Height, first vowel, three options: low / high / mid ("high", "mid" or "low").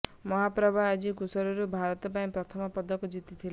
mid